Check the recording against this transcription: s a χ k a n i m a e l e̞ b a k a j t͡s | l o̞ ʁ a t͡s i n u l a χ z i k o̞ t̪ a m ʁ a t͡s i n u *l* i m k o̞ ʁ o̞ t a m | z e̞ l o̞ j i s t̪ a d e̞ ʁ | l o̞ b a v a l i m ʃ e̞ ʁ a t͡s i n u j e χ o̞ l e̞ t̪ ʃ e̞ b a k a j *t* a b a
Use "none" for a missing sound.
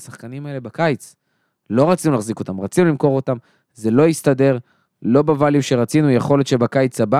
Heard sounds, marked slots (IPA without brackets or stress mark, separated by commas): l, t͡s